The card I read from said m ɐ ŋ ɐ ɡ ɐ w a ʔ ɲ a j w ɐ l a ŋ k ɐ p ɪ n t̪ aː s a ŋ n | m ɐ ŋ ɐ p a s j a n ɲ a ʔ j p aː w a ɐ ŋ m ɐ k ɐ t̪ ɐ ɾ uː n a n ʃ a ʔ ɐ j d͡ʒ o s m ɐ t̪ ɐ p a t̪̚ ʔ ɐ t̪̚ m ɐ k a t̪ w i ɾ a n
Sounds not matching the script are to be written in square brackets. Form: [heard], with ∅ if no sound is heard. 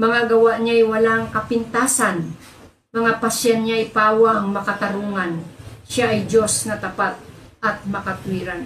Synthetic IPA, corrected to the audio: m ɐ ŋ [a] ɡ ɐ w a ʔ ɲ a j w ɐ l a ŋ k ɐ p ɪ n t̪ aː s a [∅] n | m ɐ ŋ [a] p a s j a n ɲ a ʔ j p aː w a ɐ ŋ m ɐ k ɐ t̪ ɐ ɾ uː [ŋ] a n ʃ a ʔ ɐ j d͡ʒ o s [n] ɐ t̪ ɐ p a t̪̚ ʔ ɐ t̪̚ m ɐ k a t̪ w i ɾ a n